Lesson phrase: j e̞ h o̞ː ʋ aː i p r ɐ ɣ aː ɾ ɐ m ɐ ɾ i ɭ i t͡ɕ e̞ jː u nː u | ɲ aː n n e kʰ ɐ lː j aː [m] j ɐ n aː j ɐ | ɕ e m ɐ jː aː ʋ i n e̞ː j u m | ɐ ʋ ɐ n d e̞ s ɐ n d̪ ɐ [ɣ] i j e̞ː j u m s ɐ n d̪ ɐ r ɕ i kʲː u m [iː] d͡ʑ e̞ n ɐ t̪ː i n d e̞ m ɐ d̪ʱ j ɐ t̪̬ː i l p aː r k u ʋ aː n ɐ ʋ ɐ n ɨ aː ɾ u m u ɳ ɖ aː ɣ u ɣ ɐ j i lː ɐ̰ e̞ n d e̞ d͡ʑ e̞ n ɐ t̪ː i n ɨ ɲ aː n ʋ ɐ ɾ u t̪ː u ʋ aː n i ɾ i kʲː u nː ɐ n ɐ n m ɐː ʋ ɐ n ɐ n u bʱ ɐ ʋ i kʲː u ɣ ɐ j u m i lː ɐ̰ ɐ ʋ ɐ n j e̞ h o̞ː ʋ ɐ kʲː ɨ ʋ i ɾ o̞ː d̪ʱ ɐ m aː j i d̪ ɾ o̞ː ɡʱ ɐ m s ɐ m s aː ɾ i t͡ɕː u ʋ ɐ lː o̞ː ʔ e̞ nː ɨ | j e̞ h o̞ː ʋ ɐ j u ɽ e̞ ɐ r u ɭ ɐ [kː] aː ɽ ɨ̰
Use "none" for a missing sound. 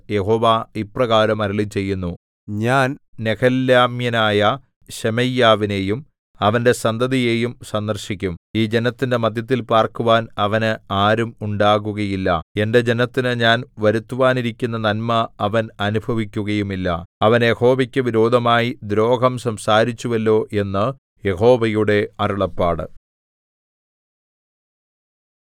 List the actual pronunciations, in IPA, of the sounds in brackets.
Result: m, ð, iː, pː

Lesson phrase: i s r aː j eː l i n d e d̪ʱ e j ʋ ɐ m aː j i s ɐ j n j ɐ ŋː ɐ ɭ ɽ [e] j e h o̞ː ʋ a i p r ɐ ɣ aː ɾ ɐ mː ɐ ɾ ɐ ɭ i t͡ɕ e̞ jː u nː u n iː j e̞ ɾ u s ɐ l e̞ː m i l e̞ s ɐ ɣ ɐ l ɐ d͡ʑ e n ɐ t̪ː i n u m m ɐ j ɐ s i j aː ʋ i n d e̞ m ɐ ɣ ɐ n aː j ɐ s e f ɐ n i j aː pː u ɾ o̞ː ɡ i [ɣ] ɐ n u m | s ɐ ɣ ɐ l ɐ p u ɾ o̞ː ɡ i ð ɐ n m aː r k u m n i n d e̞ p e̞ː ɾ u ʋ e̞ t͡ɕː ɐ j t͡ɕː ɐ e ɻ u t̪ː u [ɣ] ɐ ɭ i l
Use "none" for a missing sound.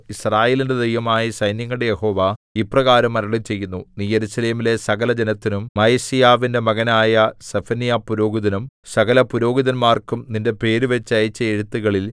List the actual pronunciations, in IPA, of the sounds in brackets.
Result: e, ð, ɣ

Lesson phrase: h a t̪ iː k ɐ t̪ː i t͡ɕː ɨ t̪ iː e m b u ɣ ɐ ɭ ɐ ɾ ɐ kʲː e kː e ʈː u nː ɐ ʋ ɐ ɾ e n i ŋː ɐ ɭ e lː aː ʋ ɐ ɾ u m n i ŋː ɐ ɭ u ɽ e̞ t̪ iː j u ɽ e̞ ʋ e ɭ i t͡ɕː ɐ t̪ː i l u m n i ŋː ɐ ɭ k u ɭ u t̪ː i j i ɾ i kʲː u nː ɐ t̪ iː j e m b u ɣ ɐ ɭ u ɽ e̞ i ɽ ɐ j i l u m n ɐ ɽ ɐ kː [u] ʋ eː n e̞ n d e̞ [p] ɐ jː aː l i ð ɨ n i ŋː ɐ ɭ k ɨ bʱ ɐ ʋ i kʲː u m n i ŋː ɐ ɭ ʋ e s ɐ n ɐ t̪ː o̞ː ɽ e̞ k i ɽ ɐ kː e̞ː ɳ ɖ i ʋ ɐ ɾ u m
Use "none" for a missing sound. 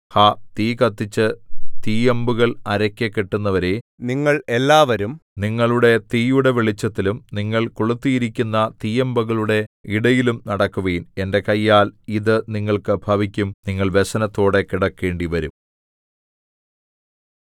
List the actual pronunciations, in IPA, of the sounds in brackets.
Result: u, k

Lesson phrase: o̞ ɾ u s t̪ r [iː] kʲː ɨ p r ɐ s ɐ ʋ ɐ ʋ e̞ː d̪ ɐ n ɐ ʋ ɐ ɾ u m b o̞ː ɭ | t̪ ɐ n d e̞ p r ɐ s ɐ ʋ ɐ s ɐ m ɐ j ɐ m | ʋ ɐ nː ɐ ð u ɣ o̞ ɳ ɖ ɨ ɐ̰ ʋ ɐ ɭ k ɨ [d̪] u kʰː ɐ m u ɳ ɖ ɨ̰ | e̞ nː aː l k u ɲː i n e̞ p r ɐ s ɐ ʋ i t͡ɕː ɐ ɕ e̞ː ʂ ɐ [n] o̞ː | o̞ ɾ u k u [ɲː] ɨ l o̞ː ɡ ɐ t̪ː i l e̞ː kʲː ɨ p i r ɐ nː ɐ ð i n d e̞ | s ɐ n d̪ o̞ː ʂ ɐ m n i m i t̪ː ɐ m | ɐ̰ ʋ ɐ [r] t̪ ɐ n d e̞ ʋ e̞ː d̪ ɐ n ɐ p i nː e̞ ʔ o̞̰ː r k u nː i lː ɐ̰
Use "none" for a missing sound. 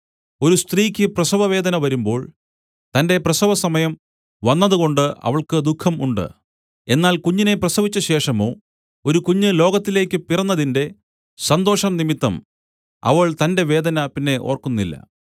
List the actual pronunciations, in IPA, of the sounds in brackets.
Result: iː, d̪, m, ɲː, ɭ

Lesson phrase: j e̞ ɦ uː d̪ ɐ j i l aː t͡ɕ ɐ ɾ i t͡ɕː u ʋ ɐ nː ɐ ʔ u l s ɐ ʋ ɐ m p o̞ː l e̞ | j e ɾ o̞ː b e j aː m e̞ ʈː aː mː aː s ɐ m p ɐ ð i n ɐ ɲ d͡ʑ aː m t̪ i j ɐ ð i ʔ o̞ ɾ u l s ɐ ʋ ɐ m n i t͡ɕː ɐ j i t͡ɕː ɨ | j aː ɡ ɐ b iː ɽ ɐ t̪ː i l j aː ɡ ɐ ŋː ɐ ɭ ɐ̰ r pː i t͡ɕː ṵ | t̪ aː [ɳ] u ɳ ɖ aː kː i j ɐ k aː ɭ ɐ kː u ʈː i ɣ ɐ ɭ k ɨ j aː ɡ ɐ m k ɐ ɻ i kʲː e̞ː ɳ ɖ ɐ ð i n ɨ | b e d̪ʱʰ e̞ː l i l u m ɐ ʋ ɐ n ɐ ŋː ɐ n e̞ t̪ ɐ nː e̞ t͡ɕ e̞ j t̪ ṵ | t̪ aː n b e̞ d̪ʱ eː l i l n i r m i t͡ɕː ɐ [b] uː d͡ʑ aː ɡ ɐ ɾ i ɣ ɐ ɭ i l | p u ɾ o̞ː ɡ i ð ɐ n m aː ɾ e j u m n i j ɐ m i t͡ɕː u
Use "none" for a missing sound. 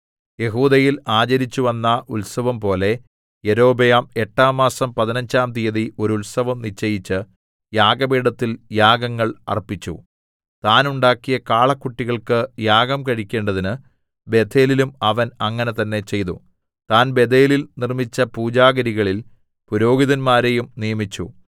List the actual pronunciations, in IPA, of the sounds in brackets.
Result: n, p

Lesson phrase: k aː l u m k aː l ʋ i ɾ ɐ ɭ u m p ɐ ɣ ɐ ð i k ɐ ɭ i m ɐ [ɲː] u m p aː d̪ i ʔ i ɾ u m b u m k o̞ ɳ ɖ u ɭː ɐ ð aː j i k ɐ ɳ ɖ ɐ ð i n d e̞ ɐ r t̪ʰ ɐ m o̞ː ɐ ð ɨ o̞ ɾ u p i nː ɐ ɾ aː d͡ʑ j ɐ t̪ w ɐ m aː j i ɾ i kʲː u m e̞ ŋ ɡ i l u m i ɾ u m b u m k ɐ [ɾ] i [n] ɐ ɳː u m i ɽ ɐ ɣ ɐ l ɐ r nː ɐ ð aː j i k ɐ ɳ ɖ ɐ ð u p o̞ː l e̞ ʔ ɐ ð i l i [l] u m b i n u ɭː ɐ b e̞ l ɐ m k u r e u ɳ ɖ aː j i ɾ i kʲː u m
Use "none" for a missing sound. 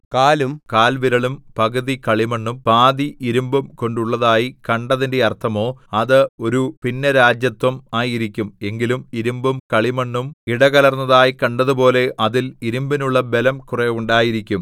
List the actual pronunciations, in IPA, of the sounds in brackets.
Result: ɳː, ɭ, m, ɾ

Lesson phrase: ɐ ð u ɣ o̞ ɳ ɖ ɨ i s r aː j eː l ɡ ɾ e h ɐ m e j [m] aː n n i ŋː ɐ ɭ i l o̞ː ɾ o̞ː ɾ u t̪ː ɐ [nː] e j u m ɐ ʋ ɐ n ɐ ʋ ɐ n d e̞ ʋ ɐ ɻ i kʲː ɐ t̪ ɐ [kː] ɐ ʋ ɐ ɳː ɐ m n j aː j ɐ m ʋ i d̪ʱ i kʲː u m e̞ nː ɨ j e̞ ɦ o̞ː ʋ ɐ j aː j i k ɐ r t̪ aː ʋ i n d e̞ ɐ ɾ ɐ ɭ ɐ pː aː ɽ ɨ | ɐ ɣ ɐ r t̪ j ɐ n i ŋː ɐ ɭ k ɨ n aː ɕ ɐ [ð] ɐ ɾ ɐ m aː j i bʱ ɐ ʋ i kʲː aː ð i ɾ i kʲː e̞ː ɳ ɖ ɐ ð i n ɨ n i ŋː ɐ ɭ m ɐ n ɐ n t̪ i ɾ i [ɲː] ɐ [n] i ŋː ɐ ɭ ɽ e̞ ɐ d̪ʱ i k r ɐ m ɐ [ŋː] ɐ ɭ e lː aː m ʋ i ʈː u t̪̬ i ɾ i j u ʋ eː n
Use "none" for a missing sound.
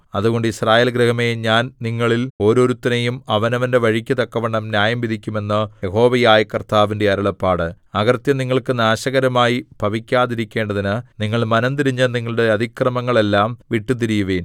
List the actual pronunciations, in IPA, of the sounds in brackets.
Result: ɲ, n, kː, ɣ, ɲː, n, ŋː

